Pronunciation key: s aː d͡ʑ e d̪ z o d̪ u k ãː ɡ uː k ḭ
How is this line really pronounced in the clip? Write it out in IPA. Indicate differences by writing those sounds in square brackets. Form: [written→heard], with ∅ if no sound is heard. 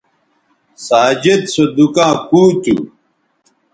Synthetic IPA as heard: s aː d͡ʑ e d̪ [z→s] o d̪ u k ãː [ɡ→k] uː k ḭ

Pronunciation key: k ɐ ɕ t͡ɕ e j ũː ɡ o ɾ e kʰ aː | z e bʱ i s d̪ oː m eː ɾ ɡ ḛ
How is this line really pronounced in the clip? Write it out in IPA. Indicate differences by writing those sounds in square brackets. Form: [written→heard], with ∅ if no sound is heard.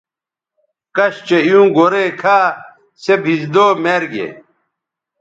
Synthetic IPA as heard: k ɐ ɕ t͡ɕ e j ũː ɡ o ɾ e kʰ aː | [z→s] e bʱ i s d̪ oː m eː ɾ ɡ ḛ

